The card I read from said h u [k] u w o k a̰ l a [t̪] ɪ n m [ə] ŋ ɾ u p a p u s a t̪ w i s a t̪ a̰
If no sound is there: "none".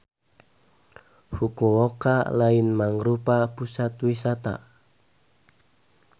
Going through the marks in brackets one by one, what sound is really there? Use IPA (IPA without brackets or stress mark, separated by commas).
k, none, a